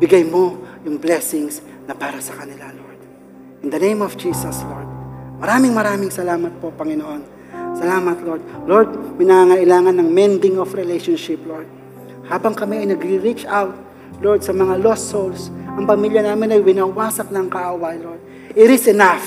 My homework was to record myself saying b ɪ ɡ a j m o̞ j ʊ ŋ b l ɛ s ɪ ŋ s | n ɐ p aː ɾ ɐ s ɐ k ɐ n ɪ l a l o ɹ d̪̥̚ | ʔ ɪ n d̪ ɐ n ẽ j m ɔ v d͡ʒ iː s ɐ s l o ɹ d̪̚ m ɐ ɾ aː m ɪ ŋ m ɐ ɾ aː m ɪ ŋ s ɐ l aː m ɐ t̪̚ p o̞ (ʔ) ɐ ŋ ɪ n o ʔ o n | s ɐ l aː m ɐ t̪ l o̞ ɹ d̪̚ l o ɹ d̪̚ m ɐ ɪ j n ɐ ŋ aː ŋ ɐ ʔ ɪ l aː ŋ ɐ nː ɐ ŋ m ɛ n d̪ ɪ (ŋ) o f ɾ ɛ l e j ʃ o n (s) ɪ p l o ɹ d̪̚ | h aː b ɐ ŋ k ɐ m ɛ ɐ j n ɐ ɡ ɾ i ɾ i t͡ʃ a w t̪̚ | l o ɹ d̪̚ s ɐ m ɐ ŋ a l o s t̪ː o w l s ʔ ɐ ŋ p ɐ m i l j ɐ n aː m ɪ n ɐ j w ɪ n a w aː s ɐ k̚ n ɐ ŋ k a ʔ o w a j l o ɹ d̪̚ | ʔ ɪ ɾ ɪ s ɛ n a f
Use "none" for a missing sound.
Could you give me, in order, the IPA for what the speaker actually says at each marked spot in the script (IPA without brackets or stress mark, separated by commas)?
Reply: p, ŋ, ʃ